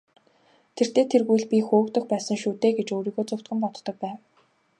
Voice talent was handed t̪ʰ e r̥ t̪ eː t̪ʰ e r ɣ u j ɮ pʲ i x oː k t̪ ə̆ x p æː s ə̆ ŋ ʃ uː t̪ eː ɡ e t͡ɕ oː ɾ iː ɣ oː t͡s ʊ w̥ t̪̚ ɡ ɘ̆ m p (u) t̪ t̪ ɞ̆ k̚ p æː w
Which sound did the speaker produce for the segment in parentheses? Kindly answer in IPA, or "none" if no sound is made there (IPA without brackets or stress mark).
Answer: ɔ